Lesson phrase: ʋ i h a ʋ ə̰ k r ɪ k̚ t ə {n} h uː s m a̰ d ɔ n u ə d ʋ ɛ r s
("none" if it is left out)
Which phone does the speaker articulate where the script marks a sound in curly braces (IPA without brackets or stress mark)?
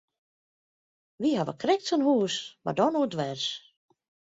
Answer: n